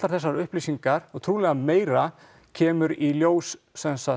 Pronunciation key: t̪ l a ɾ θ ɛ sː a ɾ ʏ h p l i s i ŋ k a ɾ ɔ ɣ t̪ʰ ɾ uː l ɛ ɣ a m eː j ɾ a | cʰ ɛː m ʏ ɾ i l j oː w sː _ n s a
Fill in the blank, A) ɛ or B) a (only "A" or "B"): A